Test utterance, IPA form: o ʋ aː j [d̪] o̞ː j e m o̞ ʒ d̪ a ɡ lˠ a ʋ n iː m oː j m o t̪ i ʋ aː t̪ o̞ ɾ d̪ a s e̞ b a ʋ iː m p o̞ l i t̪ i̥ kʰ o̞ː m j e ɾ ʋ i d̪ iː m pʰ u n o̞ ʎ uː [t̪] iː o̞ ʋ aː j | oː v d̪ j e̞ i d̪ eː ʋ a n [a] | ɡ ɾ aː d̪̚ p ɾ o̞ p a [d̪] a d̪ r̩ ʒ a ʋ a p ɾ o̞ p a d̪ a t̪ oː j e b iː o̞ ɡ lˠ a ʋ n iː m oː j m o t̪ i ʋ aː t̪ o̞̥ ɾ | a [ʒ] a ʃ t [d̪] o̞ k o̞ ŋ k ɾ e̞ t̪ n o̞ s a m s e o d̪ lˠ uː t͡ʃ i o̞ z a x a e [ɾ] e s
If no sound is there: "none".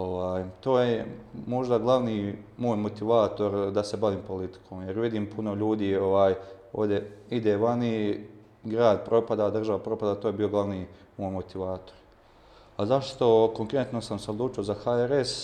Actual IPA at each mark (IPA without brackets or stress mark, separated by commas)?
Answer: t̪, d̪, i, d̪, z, t̪, ɾ